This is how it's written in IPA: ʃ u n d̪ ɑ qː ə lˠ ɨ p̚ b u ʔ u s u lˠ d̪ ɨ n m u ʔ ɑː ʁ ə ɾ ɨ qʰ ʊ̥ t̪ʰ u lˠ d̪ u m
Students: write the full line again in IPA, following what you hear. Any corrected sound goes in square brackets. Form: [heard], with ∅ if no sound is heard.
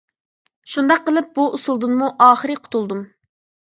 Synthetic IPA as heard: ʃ u n d̪ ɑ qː ə lˠ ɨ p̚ b u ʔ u s u lˠ d̪ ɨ n m u ʔ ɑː [χ] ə ɾ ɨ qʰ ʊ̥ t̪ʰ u lˠ d̪ u m